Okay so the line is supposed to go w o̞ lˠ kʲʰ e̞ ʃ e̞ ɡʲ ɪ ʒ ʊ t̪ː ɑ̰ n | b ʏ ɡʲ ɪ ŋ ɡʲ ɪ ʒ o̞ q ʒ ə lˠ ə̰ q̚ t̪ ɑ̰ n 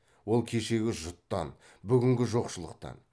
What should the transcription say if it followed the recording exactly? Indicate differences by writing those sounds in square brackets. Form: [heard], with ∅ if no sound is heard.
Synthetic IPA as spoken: w o̞ lˠ kʲʰ e̞ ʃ e̞ ɡʲ ɪ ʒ ʊ t̪ː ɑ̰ n | b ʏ ɡʲ ɪ ŋ ɡʲ ɪ ʒ o̞ q [ʃ] ə lˠ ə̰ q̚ t̪ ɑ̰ n